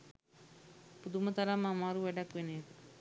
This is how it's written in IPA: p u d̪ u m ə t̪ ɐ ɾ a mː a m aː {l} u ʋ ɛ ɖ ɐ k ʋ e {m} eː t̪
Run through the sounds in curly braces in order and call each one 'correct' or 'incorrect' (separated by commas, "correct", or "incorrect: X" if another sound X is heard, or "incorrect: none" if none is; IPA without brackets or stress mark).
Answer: incorrect: ɾ, incorrect: n